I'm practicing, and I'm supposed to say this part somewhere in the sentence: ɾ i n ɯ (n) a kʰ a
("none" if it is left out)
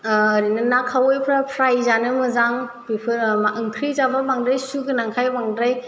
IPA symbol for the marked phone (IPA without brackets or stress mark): n